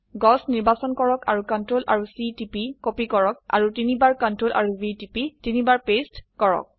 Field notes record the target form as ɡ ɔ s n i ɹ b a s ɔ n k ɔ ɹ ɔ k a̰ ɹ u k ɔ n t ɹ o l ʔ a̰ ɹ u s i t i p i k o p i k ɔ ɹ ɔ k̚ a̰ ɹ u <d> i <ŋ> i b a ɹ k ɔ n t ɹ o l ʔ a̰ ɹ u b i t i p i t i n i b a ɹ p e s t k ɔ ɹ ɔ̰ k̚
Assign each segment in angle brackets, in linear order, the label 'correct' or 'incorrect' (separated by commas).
incorrect, incorrect